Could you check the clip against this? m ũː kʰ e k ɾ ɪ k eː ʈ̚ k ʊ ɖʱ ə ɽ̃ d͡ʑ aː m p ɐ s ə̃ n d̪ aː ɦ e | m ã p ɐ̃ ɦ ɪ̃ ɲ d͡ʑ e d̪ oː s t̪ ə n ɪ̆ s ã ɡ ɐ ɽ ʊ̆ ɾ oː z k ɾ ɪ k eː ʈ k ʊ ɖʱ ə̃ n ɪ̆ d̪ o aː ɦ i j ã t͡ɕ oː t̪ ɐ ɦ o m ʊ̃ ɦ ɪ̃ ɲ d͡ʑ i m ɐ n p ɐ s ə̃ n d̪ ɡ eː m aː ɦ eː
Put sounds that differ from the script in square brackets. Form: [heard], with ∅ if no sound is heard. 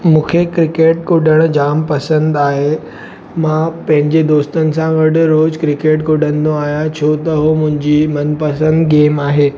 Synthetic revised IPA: m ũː kʰ e k ɾ ɪ k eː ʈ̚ k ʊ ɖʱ ə ɽ̃ d͡ʑ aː m p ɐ s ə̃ n d̪ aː ɦ e | m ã p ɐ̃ ɦ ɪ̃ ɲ d͡ʑ e d̪ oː s t̪ ə n ɪ̆ s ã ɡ ɐ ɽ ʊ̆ ɾ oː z k ɾ ɪ k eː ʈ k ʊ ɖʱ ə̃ n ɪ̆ d̪ o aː ɦ i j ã [t͡ɕʰ] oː t̪ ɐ ɦ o m ʊ̃ ɦ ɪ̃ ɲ d͡ʑ i m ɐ n p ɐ s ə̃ n d̪ ɡ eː m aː ɦ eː